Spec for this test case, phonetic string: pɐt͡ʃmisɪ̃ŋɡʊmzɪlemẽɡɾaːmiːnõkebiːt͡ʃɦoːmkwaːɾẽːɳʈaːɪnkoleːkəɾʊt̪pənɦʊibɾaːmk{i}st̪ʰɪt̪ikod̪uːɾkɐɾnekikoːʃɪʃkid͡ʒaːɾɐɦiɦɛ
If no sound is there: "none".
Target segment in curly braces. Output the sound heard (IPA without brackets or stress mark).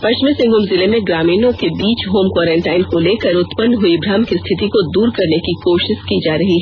i